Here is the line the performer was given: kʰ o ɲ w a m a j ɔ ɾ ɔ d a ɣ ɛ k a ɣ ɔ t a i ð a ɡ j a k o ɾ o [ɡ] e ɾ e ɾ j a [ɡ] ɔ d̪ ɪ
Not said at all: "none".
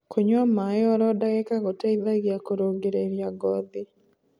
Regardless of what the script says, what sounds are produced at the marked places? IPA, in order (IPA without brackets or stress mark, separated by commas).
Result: ɡ, ɡ